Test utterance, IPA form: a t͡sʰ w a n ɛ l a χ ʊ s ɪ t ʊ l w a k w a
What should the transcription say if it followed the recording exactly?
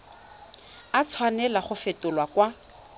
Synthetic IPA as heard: a t͡sʰ w a n ɛ l a χ ʊ f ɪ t ʊ l w a k w a